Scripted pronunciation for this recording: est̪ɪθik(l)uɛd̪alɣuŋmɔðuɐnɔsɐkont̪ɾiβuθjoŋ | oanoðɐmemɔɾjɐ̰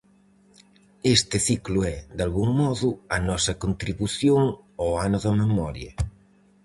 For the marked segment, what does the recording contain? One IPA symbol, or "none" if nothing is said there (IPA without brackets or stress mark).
l